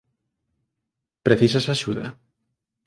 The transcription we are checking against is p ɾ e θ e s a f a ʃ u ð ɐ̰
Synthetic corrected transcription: p ɾ e θ i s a s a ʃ u ð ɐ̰